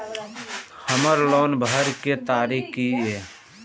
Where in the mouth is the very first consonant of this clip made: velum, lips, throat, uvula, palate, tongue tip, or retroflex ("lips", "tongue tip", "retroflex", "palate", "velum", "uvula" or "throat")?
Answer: throat